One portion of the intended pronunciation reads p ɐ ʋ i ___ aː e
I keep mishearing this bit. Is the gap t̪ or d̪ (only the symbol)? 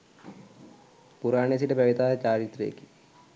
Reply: t̪